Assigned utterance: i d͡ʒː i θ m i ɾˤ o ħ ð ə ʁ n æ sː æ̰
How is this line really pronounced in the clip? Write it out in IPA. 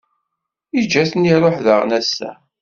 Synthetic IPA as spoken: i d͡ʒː æ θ n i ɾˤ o ħ ð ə ʁ n æ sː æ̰